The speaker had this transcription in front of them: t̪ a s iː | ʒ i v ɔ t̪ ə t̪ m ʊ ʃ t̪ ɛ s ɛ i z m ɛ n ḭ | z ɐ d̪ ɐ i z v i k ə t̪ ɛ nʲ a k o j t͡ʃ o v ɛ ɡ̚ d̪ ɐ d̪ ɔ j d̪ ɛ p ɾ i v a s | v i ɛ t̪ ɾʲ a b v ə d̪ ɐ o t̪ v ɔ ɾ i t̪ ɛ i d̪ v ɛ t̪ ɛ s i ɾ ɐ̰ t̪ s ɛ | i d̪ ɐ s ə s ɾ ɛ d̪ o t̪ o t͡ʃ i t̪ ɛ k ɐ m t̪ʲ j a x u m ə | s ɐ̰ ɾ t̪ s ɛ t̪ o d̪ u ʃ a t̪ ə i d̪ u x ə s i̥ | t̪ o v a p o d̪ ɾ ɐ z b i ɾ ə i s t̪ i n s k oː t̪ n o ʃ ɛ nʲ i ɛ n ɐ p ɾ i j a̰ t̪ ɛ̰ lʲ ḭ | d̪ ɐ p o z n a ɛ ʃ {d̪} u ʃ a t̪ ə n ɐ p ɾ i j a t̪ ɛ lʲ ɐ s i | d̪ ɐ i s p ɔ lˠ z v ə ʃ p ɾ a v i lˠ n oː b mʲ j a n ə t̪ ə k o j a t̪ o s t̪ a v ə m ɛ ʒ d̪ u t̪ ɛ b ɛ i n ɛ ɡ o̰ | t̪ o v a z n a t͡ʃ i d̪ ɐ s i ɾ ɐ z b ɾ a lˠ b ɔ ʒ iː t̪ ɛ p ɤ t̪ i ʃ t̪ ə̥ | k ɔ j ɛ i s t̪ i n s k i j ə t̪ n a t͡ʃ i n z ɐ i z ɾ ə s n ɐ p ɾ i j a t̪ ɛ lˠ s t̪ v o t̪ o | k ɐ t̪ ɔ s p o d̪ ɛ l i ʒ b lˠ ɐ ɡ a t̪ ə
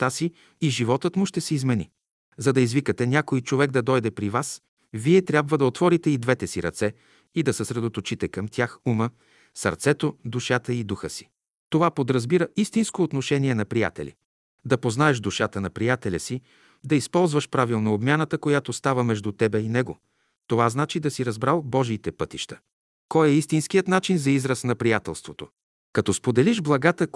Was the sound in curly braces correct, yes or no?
yes